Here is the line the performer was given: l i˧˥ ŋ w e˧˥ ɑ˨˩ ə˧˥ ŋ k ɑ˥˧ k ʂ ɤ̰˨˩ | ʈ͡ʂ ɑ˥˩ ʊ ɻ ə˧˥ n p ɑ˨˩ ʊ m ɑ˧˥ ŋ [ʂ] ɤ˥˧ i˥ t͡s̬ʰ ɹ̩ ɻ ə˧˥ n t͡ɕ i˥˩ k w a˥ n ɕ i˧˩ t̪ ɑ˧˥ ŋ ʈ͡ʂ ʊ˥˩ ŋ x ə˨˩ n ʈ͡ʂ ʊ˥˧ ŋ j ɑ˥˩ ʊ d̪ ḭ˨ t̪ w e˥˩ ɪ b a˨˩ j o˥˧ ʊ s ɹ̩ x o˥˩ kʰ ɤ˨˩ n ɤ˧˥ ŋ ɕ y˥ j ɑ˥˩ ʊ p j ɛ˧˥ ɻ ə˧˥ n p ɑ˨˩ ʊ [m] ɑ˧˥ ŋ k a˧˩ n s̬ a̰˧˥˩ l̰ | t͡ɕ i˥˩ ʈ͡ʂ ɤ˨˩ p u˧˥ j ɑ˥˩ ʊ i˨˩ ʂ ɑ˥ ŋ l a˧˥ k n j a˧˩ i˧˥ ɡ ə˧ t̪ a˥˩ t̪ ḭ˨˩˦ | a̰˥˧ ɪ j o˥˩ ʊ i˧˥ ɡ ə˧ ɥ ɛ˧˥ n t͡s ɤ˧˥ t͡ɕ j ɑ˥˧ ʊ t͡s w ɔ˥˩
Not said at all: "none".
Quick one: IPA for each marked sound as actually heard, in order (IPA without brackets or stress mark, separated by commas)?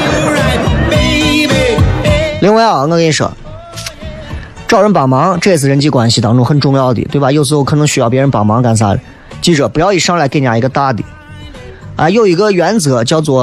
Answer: ʈ͡ʂ, m